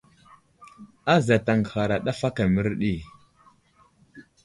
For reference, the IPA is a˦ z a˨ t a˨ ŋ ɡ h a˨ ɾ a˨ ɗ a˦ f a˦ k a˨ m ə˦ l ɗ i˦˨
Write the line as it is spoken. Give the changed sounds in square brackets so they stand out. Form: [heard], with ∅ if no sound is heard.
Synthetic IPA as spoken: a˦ z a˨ t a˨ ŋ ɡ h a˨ ɾ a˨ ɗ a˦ f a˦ k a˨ m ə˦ [ɾ] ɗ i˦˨